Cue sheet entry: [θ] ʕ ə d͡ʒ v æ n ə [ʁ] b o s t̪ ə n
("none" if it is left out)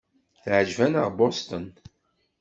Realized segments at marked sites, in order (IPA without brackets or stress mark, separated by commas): θ, ʁ